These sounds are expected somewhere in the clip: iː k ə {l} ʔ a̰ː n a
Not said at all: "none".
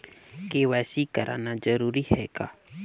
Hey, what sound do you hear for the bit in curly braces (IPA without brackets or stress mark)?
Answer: ɾ